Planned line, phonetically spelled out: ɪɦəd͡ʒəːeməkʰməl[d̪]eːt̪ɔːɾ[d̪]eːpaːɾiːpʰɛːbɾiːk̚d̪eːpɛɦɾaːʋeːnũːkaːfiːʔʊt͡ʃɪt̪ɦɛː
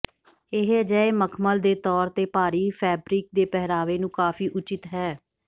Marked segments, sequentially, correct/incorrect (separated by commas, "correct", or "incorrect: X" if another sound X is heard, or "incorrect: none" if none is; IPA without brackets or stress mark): correct, incorrect: t̪